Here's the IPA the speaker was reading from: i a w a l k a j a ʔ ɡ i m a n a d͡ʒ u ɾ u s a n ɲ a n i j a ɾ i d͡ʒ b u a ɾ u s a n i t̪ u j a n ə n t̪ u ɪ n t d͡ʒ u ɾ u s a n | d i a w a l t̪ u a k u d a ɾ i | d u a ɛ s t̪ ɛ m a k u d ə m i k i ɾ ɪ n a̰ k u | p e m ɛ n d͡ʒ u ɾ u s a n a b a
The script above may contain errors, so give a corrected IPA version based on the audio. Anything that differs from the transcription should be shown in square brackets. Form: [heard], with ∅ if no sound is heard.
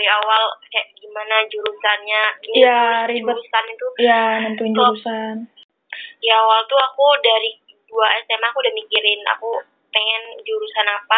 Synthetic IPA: i a w a l k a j a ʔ ɡ i m a n a d͡ʒ u ɾ u s a n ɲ a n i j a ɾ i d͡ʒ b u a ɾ u s a n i t̪ u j a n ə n t̪ u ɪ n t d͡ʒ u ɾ u s a n | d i a w a l t̪ u a k u d a ɾ i | d u a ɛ s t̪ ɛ m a k u d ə m i k i ɾ ɪ n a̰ k u | p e [ŋ] ɛ n d͡ʒ u ɾ u s a n a [p] a